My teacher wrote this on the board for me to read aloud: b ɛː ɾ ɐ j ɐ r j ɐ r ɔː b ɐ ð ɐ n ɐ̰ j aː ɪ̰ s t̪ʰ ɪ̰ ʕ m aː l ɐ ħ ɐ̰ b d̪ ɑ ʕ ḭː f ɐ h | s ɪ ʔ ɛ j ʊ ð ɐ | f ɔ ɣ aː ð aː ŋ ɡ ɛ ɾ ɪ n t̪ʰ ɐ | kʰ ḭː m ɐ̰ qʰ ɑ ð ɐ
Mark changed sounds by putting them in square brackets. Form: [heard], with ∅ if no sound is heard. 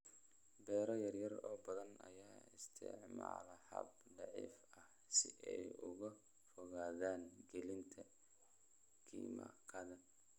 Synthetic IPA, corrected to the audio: b ɛː ɾ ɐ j ɐ r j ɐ r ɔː b ɐ ð ɐ n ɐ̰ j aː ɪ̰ s t̪ʰ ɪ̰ ʕ m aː l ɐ ħ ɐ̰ b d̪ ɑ ʕ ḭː f ɐ h | s ɪ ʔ ɛ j ʊ [ɣ] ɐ | f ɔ ɣ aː ð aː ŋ ɡ ɛ [l] ɪ n t̪ʰ ɐ | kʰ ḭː m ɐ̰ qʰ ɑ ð ɐ